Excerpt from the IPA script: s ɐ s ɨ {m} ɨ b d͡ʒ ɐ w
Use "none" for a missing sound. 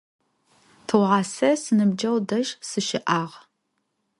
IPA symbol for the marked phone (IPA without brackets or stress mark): n